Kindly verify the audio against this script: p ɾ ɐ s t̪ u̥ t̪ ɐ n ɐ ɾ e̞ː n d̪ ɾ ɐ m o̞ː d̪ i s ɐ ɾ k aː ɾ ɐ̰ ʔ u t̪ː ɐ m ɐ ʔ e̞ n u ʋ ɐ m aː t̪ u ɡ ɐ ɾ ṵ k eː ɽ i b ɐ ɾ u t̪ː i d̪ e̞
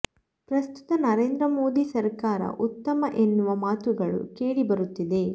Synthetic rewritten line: p ɾ ɐ s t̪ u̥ t̪ ɐ n ɐ ɾ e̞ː n d̪ ɾ ɐ m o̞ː d̪ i s ɐ ɾ k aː ɾ ɐ̰ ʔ u t̪ː ɐ m ɐ ʔ e̞ nː u ʋ ɐ m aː t̪ u ɡ ɐ ɭ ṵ k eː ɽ i b ɐ ɾ u t̪ː i d̪ e̞